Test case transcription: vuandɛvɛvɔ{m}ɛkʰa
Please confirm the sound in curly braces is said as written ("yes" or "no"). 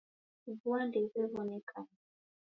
no